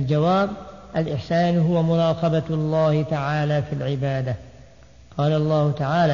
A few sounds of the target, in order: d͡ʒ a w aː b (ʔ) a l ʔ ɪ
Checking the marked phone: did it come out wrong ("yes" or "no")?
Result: no